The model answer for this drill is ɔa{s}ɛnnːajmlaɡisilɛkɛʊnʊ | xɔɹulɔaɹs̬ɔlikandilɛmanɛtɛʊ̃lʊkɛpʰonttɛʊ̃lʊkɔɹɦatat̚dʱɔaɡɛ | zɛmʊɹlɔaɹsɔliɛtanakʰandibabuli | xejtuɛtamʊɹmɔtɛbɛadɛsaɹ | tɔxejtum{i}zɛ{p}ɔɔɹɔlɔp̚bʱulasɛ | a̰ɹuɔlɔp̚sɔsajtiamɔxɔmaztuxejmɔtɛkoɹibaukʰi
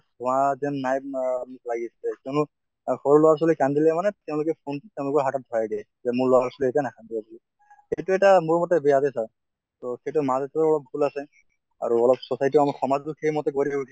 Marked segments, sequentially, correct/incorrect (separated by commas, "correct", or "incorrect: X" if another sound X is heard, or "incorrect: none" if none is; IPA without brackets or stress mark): incorrect: z, incorrect: a, incorrect: t